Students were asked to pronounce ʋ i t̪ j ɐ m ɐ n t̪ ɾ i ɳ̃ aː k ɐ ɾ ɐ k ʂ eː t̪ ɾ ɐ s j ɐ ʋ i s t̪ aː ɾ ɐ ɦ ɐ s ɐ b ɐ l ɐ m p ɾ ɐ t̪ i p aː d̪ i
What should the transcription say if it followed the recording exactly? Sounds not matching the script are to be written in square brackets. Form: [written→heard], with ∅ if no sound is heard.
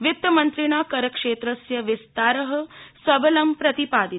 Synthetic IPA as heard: ʋ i t̪ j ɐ m ɐ n t̪ ɾ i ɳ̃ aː k ɐ ɾ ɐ k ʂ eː t̪ ɾ ɐ s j ɐ ʋ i s t̪ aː ɾ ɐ ɦ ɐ s ɐ b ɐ l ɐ m p ɾ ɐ t̪ i p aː d̪ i